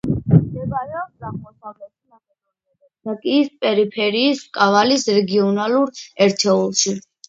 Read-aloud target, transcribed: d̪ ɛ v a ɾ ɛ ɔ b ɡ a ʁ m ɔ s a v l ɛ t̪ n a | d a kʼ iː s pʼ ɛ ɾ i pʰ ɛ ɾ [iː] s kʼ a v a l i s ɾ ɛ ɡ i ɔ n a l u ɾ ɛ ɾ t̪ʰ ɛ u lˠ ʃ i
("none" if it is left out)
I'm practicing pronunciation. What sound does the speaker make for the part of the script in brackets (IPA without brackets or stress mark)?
iː